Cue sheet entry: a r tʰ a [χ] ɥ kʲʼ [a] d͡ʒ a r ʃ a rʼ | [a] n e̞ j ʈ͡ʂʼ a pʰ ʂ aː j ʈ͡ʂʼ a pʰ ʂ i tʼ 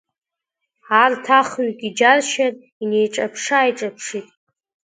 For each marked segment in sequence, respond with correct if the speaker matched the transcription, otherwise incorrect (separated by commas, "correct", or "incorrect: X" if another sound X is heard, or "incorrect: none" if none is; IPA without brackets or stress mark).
correct, incorrect: i, incorrect: i